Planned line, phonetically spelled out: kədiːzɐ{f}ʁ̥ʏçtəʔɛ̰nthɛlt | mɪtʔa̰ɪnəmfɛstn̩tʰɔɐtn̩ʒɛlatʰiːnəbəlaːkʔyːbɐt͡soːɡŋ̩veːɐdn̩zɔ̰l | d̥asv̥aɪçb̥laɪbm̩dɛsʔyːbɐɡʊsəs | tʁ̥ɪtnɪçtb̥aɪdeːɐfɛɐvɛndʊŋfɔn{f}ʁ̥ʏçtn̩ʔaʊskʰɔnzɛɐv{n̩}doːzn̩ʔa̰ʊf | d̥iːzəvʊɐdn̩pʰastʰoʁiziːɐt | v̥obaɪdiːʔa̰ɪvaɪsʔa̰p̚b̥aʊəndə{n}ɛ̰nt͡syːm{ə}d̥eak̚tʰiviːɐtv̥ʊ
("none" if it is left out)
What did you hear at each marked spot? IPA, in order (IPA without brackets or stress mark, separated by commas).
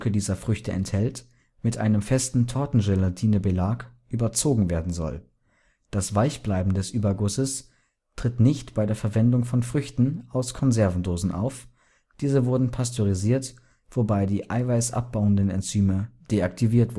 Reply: f, f, n̩, n, ə